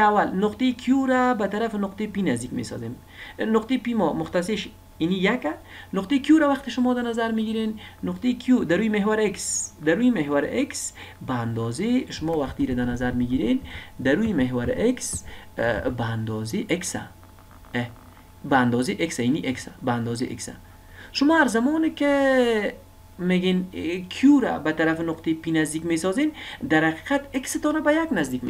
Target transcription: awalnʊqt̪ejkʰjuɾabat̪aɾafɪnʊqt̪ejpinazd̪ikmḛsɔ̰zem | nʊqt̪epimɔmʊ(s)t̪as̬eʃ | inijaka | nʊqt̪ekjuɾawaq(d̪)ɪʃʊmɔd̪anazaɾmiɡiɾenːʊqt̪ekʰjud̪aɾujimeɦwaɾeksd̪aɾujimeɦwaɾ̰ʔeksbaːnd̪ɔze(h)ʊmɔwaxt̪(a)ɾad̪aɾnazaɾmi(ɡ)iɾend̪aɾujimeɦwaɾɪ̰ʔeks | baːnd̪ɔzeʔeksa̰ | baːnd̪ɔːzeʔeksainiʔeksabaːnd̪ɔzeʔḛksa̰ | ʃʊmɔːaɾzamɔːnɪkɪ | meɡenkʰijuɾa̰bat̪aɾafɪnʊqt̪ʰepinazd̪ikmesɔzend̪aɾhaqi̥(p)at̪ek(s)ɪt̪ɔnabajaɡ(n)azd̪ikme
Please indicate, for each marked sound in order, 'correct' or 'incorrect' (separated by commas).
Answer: incorrect, incorrect, incorrect, incorrect, correct, incorrect, correct, correct